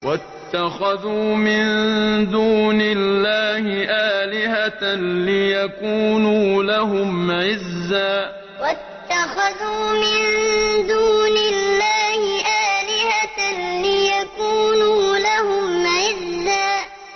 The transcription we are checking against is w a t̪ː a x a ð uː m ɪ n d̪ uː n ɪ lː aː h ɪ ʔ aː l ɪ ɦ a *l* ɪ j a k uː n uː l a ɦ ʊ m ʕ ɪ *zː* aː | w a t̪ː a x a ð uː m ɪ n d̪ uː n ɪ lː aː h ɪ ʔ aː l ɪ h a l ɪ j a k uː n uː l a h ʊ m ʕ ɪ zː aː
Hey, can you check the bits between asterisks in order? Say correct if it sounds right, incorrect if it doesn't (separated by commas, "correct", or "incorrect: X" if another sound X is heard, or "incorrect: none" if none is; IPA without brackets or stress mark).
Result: correct, correct